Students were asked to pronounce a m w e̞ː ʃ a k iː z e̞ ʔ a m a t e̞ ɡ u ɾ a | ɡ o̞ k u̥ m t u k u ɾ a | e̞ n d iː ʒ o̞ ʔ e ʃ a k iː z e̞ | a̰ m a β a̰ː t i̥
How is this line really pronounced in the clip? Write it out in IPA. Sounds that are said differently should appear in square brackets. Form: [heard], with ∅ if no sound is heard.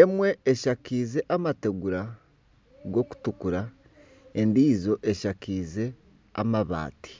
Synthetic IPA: [e] m w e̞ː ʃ a k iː z e̞ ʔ a m a t e̞ ɡ u ɾ a | ɡ o̞ k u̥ [∅] t u k u ɾ a | e̞ n d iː [z] o̞ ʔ e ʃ a k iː z e̞ | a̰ m a β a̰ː t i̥